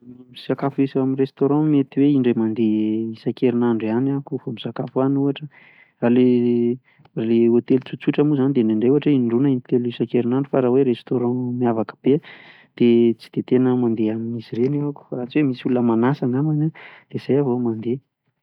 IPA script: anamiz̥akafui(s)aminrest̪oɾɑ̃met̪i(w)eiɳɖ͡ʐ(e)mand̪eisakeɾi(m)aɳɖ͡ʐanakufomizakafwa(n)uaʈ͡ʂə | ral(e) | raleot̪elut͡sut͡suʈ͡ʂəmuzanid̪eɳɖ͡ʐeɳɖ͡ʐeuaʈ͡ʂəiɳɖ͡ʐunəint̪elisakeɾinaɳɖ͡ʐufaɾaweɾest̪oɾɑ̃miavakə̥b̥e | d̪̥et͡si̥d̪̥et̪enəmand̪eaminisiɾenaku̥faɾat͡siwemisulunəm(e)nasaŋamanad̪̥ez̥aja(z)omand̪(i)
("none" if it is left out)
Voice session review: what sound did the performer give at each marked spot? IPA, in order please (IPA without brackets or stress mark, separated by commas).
s, w, e, n, n, e, a, v, e